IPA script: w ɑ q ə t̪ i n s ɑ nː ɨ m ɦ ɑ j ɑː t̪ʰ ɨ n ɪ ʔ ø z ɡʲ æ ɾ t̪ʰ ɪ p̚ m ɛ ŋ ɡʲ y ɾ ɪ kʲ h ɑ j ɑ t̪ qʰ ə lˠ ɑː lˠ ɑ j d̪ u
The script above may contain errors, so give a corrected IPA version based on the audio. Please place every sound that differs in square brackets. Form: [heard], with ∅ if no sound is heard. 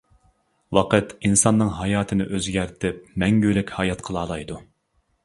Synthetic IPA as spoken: w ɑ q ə t̪ i n s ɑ nː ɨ [ŋ] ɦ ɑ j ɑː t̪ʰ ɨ n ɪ ʔ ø z ɡʲ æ ɾ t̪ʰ ɪ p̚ m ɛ ŋ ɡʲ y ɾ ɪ kʲ h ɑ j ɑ t̪ qʰ ə lˠ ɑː lˠ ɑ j d̪ u